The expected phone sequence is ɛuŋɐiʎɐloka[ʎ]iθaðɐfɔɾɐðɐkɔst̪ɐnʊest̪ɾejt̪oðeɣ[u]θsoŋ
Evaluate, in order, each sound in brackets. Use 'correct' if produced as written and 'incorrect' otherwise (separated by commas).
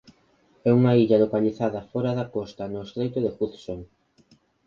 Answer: correct, correct